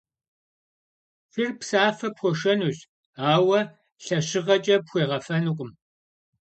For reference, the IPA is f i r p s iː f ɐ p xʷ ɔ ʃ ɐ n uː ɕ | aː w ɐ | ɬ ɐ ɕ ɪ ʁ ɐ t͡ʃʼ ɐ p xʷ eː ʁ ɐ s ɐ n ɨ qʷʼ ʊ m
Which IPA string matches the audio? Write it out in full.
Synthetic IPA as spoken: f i r p s aː f ɐ p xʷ ɔ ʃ ɐ n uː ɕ | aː w ɐ | ɬ ɐ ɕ ɪ ʁ ɐ t͡ʃʼ ɐ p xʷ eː ʁ ɐ f ɐ n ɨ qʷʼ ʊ m